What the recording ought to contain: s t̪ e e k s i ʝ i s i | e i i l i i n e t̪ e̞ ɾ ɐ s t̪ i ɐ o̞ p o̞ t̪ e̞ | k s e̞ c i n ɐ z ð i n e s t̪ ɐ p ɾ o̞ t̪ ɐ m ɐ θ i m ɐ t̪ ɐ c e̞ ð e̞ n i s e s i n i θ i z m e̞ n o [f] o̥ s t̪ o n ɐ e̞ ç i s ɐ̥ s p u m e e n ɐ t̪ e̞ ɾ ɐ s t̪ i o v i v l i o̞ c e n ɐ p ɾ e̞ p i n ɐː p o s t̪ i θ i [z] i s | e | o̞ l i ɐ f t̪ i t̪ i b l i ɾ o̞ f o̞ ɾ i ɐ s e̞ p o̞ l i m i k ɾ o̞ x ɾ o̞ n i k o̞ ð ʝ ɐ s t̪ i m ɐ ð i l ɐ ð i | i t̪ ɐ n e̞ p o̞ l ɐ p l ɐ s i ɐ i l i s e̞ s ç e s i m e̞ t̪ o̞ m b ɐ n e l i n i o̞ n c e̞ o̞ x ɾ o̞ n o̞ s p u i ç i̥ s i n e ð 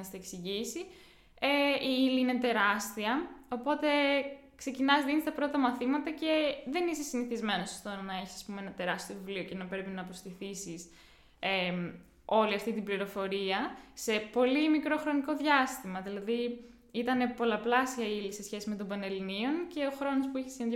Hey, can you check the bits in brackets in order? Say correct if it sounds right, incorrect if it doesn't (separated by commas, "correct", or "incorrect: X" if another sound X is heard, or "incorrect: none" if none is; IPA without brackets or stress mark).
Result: incorrect: s, incorrect: s